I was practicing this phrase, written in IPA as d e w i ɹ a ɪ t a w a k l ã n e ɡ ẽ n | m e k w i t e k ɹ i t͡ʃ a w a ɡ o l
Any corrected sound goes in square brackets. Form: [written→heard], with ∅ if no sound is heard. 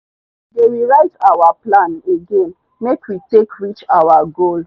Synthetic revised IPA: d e w i ɹ a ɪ t a w a [k→p] l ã n e ɡ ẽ n | m e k w i t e k ɹ i t͡ʃ a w a ɡ o l